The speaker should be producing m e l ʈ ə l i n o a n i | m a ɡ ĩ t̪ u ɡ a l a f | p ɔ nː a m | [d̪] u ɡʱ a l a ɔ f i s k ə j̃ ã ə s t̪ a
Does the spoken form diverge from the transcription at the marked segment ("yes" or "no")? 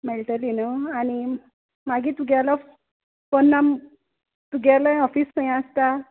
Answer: yes